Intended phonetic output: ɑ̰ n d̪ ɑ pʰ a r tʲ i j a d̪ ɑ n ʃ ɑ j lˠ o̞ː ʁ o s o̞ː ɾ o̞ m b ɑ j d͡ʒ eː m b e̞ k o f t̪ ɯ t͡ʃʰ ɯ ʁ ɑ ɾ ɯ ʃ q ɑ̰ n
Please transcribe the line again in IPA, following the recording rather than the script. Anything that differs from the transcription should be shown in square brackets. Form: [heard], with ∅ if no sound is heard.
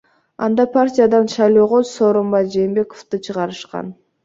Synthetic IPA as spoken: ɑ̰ n d̪ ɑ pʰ a r tʲ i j a d̪ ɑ n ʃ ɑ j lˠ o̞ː ʁ o s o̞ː ɾ o̞ m b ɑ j d͡ʒ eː m b e̞ k o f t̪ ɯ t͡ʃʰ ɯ ʁ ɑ ɾ ɯ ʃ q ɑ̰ n